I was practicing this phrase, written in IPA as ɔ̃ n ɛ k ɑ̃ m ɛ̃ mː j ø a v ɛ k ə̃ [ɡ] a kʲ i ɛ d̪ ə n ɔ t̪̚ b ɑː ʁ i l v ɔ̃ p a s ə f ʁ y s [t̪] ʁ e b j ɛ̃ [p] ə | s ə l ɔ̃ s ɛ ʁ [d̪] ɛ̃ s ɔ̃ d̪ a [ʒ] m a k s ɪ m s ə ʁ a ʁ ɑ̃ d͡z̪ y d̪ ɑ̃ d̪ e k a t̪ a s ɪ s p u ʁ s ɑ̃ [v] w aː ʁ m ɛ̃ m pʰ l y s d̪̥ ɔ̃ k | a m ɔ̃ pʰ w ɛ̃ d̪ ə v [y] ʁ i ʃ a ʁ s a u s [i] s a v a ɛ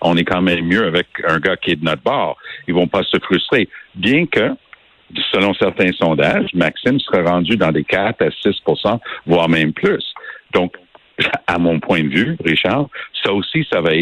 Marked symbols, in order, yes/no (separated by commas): yes, yes, no, no, yes, yes, yes, yes